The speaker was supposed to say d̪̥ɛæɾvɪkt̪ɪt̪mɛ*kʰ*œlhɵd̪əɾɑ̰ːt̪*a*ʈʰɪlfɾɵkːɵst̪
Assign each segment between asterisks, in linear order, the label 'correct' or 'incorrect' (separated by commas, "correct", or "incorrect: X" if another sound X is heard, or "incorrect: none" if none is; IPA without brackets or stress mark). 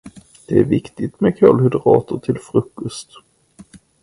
correct, incorrect: ə